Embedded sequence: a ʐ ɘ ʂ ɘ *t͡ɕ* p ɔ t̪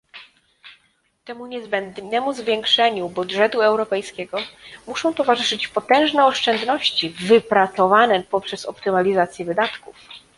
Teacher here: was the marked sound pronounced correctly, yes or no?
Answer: yes